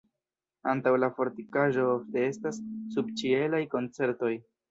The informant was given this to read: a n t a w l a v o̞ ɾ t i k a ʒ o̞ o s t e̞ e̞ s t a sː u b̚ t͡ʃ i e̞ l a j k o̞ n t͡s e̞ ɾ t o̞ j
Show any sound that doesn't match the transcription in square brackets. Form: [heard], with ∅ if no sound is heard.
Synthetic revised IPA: a n t a w l a [f] o̞ ɾ t i k a ʒ o̞ o [f] t e̞ e̞ s t a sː u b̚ t͡ʃ i e̞ l a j k o̞ n t͡s e̞ ɾ t o̞ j